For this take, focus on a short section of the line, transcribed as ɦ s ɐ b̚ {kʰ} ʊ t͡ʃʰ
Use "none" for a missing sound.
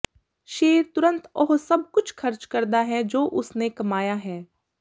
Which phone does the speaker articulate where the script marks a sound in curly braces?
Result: k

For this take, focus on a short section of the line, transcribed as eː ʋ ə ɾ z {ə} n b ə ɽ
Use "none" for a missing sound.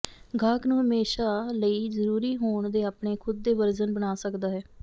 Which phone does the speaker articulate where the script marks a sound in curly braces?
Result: ə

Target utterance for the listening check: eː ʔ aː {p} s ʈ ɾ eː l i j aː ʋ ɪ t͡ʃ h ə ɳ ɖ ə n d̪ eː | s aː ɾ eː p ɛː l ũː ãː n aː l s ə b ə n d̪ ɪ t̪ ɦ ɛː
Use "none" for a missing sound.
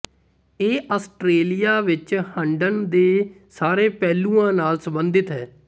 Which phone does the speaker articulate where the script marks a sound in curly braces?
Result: none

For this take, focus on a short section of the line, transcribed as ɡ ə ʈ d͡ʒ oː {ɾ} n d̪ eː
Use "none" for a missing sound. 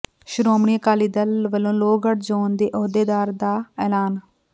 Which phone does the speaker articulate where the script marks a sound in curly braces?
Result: none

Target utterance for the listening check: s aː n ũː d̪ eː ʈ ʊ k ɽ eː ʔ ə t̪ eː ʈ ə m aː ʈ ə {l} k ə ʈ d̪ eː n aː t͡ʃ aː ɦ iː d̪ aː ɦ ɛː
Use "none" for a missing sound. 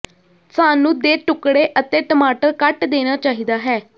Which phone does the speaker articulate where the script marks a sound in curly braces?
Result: ɾ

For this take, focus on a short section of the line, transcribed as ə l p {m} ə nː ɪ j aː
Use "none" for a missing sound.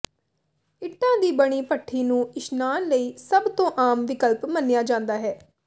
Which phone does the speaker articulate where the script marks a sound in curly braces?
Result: m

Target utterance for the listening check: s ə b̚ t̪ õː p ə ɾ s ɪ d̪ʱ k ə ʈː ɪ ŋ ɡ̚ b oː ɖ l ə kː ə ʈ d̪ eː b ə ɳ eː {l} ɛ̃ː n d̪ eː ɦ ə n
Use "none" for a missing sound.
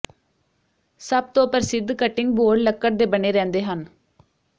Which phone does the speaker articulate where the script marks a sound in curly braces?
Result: ɾ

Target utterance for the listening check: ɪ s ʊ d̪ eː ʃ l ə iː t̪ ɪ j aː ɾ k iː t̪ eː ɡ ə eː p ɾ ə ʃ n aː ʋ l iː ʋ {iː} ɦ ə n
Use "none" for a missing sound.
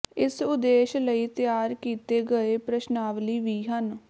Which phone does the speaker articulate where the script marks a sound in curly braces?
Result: iː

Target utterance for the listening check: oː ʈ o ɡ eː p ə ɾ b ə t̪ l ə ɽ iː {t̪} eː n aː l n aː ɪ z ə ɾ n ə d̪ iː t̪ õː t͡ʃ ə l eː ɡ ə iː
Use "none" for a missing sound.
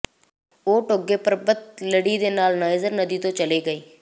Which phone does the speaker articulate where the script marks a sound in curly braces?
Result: d̪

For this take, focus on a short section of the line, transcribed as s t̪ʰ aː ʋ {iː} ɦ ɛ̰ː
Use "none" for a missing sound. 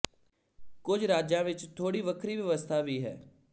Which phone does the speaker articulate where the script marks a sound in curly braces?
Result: iː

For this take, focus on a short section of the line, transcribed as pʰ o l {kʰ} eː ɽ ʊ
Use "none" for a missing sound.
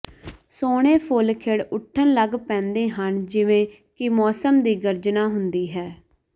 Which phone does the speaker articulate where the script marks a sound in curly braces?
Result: kʰ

